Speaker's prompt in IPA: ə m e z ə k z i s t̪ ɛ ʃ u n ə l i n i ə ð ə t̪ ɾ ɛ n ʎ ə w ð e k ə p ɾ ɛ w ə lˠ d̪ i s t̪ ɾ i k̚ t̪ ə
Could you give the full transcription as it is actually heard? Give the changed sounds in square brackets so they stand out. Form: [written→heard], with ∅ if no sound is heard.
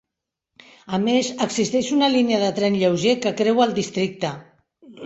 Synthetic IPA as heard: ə m e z ə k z i s t̪ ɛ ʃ u n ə l i n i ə ð ə t̪ ɾ ɛ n ʎ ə w [ð→ʒ] e k ə [p→k] ɾ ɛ w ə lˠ d̪ i s t̪ ɾ i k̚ t̪ ə

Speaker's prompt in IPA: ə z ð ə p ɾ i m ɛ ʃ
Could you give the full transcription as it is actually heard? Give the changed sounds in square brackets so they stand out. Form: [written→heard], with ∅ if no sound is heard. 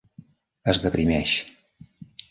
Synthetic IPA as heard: ə z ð ə p ɾ i m ɛ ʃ

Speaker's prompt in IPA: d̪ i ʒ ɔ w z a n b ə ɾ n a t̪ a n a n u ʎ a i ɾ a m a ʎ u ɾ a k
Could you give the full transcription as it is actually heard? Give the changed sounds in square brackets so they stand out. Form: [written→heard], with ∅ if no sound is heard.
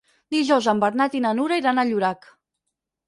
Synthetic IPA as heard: d̪ i ʒ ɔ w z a [n→m] b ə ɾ n a t̪ [a→i] n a n u [ʎ→ɾ] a i ɾ a [m→n] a ʎ u ɾ a k

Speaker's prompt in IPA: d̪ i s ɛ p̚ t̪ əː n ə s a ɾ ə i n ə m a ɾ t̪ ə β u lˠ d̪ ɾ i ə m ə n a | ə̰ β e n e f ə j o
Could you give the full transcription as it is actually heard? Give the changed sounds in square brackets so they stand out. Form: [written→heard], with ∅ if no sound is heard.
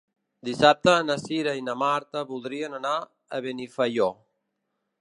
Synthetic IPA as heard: d̪ i s [ɛ→a] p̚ t̪ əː n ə s [a→i] ɾ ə i n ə m a ɾ t̪ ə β u lˠ d̪ ɾ i ə [m→n] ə n a | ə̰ β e n [e→i] f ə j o

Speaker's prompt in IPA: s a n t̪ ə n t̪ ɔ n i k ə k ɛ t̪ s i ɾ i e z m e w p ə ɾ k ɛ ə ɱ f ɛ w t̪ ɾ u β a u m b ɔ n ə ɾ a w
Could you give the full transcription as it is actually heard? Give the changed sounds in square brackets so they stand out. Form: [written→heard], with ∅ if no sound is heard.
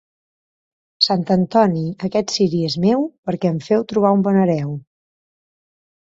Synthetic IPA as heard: s a n t̪ ə n t̪ ɔ n i [k→∅] ə k ɛ t̪ s i ɾ i e z m e w p ə ɾ k ɛ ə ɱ f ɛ w t̪ ɾ u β a u m b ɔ n ə ɾ [a→ɛ] w

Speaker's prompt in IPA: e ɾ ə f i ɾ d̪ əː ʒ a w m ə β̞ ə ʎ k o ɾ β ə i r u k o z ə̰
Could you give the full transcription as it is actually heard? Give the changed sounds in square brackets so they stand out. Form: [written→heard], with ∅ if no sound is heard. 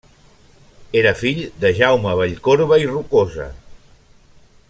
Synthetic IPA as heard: e ɾ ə f i [ɾ→ʎ] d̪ [əː→ə] ʒ a w m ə β̞ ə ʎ k o ɾ β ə i r u k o z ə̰

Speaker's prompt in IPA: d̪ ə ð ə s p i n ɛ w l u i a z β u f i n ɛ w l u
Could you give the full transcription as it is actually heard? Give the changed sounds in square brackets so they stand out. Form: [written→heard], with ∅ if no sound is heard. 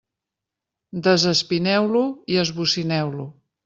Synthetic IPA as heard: d̪ ə [ð→z] ə s p i n ɛ w l u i [a→ə] z β u [f→s] i n ɛ w l u

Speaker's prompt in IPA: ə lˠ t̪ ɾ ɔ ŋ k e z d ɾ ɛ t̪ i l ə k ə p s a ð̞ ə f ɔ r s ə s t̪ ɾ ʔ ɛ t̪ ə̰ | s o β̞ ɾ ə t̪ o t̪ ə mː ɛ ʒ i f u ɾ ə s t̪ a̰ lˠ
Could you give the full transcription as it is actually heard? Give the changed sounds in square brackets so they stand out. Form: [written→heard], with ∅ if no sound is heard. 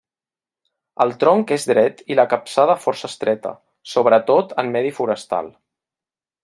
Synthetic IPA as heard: ə lˠ t̪ ɾ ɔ ŋ k e z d ɾ ɛ t̪ i l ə k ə p s a ð̞ ə f ɔ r s ə s t̪ ɾ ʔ ɛ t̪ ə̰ | s o β̞ ɾ ə t̪ o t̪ ə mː ɛ [ʒ→ð] i f u ɾ ə s t̪ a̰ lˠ

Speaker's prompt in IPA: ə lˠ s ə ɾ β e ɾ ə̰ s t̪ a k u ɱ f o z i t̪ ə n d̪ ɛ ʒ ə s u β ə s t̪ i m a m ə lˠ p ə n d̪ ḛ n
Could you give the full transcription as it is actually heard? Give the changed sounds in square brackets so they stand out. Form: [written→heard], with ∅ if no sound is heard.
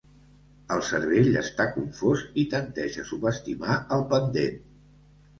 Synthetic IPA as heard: ə lˠ s ə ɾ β e [ɾ→ʎ] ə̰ s t̪ a k u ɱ f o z i t̪ ə n [d̪→t̪] ɛ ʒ ə s u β ə s t̪ i m a [m→∅] ə lˠ p ə n d̪ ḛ n

